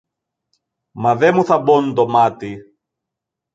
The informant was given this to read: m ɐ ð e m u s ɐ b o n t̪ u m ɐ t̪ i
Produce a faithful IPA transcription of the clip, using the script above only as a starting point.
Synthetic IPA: m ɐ ð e m u θ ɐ b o n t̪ o m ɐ t̪ i